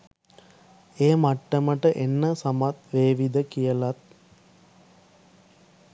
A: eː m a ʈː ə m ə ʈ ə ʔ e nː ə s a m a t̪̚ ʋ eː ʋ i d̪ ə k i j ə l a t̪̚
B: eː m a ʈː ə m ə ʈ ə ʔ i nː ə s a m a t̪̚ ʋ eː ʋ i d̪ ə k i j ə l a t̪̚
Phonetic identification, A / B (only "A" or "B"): A